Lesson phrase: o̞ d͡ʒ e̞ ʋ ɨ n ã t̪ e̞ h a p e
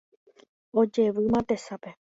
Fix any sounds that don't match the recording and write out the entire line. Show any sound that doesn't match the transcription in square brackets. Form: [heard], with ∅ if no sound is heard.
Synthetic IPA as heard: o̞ d͡ʒ e̞ ʋ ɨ [m] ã t̪ e̞ [s] a p e